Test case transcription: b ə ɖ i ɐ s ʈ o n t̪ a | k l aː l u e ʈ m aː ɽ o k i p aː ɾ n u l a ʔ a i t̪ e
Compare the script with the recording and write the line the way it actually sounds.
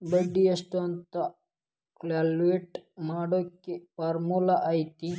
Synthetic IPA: b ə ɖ i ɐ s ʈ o n t̪ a | k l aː l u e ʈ m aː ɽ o k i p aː ɾ m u l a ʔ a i t̪ i